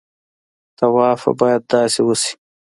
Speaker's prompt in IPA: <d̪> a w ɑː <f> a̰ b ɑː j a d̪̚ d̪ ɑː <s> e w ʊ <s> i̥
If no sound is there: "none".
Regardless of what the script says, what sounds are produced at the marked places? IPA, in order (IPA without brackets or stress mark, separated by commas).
t̪, f, s, s